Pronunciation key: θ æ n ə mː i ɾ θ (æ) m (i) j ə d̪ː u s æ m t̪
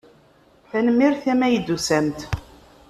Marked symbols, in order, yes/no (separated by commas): yes, no